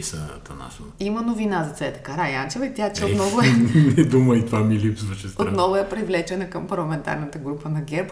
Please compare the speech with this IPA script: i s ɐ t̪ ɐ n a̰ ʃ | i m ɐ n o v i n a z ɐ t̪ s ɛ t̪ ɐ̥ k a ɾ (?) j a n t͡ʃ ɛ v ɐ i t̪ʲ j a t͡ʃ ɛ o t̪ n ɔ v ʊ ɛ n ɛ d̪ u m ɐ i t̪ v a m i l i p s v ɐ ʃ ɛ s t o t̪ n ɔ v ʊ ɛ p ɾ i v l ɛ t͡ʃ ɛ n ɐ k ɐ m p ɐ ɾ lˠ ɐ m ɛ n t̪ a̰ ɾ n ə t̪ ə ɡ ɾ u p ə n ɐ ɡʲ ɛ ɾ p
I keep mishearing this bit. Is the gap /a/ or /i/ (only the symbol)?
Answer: a